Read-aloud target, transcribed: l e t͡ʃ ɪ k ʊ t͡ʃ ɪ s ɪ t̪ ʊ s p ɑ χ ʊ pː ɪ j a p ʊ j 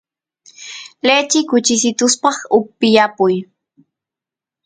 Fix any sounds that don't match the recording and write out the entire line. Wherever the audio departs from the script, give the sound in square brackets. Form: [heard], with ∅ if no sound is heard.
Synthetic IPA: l e t͡ʃ ɪ k ʊ t͡ʃ ɪ s ɪ t̪ ʊ s p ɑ χ ʊ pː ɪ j a p ʊ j

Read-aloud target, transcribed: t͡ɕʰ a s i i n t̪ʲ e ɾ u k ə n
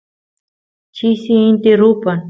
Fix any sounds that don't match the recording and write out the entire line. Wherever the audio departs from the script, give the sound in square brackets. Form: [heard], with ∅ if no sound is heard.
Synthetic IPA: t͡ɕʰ [i] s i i n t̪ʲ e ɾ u [p] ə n

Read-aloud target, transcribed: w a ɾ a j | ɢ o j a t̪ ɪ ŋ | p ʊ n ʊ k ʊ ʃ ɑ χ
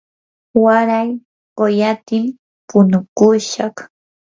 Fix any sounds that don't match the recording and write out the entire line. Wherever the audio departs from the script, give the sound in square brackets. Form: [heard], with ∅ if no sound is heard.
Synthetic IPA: w a ɾ a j | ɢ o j a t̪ ɪ [m] | p ʊ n ʊ k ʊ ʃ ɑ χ

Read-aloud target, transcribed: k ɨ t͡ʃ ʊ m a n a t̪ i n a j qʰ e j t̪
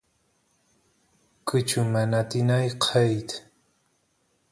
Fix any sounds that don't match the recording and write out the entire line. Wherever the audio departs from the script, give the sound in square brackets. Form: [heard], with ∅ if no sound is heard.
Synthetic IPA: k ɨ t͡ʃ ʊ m a n a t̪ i n a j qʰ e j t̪

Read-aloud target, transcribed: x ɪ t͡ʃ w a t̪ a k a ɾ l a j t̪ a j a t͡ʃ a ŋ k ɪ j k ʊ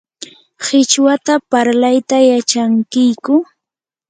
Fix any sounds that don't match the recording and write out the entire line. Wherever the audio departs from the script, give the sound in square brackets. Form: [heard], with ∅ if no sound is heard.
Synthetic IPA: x ɪ t͡ʃ w a t̪ a [p] a ɾ l a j t̪ a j a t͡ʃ a ŋ k ɪ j k ʊ

